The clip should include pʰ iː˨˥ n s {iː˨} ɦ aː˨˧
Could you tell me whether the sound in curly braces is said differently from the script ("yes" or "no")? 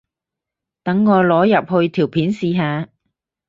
no